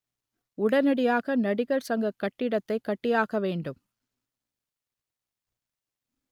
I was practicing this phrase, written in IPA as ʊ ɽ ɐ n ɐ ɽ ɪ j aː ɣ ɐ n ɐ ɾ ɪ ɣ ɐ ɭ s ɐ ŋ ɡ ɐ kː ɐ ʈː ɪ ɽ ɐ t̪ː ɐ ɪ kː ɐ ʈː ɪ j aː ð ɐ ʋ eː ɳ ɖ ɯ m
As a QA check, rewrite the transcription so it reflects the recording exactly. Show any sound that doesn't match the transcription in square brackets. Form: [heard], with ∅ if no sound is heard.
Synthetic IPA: ʊ ɽ ɐ n ɐ ɽ ɪ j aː ɣ ɐ n ɐ [ɽ] ɪ ɣ ɐ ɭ s ɐ ŋ ɡ ɐ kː ɐ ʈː ɪ ɽ ɐ t̪ː ɐ ɪ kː ɐ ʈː ɪ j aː [ɣ] ɐ ʋ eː ɳ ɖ ɯ m